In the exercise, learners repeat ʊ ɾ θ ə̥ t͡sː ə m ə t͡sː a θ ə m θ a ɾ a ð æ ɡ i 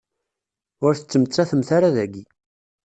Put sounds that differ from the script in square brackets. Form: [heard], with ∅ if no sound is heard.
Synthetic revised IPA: ʊ ɾ θ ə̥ t͡sː ə m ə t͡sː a θ ə m θ a ɾ a ð æ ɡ i